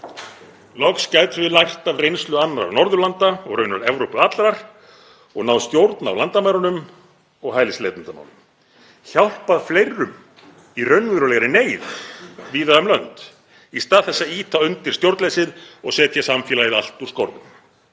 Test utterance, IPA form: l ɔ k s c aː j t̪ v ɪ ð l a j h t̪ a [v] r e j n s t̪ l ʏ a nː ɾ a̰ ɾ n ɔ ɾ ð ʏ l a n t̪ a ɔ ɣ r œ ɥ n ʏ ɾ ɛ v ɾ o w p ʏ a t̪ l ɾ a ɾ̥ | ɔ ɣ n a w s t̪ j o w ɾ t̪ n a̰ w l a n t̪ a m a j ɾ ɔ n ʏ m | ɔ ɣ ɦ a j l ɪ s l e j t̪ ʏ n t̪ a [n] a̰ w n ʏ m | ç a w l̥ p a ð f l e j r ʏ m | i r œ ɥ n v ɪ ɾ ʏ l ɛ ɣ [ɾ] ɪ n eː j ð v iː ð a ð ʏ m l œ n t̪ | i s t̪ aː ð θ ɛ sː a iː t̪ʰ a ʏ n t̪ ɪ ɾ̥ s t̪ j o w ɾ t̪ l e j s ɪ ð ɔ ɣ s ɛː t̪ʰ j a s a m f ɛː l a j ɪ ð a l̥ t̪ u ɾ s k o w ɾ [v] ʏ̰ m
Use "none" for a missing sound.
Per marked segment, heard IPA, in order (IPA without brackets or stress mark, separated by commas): v, m, ɾ, ð